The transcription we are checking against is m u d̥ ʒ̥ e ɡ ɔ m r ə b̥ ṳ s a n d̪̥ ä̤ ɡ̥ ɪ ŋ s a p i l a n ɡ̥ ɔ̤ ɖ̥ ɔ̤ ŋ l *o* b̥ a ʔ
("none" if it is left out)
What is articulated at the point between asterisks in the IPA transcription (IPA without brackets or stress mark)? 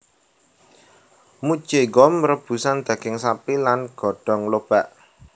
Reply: o